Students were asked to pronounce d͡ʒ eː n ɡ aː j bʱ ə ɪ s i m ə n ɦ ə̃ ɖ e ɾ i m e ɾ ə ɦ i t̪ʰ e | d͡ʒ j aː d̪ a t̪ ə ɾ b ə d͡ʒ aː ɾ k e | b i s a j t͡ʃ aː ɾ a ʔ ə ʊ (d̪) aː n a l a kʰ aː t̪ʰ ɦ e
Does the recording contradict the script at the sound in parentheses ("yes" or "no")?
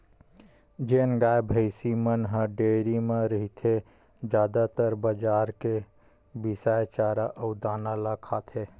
no